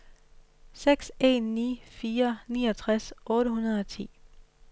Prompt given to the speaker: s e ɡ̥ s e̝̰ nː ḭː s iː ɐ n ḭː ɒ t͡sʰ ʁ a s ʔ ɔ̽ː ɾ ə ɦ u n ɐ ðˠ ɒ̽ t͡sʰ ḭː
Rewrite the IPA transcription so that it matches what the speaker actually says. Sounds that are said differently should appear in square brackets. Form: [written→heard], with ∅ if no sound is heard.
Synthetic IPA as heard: s e ɡ̥ s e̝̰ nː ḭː [s→f] iː ɐ n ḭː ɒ t͡sʰ ʁ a s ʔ ɔ̽ː ɾ ə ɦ u n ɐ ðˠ ɒ̽ t͡sʰ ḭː